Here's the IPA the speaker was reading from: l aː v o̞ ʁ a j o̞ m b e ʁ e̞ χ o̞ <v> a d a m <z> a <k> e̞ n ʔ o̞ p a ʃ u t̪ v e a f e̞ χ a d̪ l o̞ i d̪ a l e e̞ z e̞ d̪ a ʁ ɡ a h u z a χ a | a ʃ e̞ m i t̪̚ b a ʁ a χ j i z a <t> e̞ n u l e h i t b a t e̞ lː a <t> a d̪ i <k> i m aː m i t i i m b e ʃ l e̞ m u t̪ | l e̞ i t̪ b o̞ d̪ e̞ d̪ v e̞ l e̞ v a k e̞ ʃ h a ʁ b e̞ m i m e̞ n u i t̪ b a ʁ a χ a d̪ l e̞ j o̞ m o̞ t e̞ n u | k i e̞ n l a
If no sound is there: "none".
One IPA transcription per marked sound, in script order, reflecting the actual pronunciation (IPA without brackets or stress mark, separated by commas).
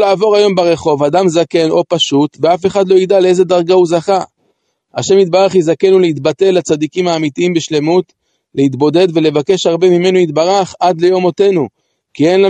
v, z, k, k, t͡s, k